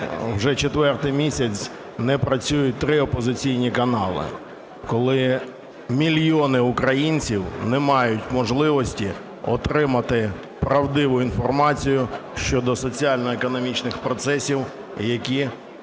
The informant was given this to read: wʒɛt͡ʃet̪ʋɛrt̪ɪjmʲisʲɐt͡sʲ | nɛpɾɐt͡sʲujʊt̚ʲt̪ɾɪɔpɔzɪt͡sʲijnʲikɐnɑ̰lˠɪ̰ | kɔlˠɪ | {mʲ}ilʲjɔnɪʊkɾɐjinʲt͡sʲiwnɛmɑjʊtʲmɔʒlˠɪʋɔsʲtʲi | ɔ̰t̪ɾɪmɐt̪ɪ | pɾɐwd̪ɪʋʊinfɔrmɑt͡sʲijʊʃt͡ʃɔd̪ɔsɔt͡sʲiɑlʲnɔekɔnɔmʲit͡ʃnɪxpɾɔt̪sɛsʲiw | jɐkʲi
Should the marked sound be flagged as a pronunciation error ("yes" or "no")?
no